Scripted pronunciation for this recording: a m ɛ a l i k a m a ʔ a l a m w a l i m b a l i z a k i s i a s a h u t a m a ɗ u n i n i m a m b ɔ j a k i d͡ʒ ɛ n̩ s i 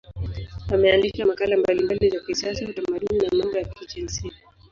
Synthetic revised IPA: a m ɛ a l i k a m a k a l a m b a l i m b a l i z a k i s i a s a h u t a m a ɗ u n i n a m a m b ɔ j a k i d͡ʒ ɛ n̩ s i